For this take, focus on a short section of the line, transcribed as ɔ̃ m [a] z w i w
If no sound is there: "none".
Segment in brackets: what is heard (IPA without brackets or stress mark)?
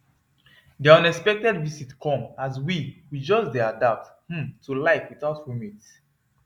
a